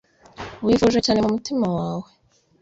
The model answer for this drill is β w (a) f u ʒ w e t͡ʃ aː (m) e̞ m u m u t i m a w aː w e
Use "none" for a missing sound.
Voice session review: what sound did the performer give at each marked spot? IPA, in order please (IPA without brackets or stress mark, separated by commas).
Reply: i, n